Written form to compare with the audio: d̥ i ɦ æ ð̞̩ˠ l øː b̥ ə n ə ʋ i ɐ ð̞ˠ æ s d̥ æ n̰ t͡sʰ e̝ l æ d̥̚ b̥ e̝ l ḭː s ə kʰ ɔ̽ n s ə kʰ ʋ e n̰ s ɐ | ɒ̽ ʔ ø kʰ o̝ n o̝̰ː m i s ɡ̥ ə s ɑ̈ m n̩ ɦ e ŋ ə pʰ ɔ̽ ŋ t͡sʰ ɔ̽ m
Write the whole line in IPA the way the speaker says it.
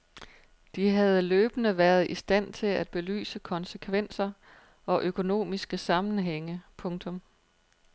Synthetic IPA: d̥ i ɦ æ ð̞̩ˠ l øː b̥ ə n ə ʋ æ ɐ ð̞ˠ i s d̥ æ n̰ t͡sʰ e̝ l æ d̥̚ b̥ e̝ l y̰ː s ə kʰ ɒ̽ n s ə kʰ ʋ e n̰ s ɐ | ɒ̽ ʔ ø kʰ o̝ n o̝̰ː m i s ɡ̥ ə s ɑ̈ m n̩ ɦ e ŋ ə pʰ ɔ̽ ŋ t͡sʰ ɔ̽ m